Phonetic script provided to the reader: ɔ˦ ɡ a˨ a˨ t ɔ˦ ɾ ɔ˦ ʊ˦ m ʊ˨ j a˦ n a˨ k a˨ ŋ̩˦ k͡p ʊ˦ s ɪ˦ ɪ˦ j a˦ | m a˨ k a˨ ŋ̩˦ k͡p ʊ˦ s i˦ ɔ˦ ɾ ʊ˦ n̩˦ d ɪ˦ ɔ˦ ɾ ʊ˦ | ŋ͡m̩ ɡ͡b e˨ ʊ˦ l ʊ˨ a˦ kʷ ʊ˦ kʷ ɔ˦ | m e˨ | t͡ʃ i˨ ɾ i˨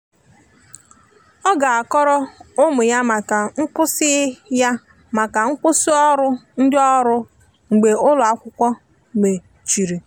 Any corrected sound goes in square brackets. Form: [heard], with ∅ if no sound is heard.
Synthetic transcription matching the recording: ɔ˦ ɡ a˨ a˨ [k] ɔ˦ ɾ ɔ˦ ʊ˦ m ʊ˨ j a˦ [m] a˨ k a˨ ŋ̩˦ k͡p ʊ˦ s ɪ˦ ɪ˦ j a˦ | m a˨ k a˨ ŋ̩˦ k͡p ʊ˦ s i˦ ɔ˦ ɾ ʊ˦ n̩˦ d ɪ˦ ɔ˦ ɾ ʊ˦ | ŋ͡m̩ ɡ͡b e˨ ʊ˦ l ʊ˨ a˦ kʷ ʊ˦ kʷ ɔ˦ | m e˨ | t͡ʃ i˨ ɾ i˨